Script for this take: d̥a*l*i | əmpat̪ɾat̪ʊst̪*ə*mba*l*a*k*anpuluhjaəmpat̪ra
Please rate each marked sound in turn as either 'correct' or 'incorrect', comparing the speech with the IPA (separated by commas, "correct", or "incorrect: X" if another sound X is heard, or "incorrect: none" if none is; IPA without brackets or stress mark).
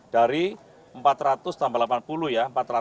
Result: incorrect: ɾ, incorrect: a, correct, incorrect: p